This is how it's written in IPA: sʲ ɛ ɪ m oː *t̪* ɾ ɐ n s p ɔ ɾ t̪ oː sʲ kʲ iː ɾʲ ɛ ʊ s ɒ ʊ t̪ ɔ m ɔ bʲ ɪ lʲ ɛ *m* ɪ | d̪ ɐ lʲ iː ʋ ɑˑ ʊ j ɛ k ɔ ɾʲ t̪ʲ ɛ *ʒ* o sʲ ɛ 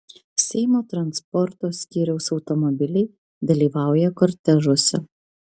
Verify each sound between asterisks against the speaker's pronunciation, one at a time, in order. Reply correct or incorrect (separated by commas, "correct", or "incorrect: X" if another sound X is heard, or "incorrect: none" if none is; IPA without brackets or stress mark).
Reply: correct, incorrect: none, correct